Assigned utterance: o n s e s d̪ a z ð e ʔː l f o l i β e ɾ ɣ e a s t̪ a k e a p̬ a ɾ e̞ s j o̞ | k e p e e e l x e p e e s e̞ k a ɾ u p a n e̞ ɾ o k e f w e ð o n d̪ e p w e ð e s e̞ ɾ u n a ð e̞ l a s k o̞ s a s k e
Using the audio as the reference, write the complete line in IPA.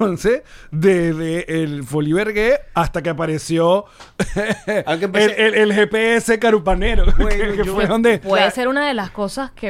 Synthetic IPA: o n s e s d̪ e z ð e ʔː l f o l i β e ɾ ɣ e a s t̪ a k e a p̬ a ɾ e̞ s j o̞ | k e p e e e l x e p e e s e̞ k a ɾ u p a n e̞ ɾ o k e f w e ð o n d̪ e p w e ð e s e̞ ɾ u n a ð e̞ l a s k o̞ s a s k e